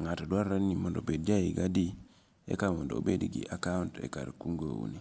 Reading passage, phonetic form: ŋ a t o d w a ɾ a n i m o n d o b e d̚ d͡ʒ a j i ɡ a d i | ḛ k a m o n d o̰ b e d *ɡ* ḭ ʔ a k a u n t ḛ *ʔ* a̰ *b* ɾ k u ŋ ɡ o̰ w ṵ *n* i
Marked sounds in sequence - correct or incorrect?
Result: correct, incorrect, incorrect, correct

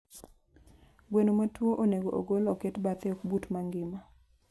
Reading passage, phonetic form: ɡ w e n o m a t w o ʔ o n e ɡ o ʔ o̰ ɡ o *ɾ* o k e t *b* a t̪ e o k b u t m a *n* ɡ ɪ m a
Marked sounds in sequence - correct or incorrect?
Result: incorrect, correct, incorrect

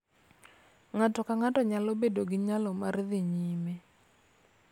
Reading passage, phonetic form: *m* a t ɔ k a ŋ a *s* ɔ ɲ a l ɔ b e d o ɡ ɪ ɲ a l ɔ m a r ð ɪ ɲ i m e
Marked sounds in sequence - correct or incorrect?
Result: incorrect, incorrect

